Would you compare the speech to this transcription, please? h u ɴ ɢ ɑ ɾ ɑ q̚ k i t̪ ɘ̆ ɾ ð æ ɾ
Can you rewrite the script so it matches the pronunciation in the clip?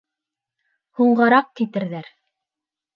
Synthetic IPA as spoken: h u ɴ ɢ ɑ ɾ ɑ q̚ k i t̪ ɘ̆ ɾ ð æ ɾ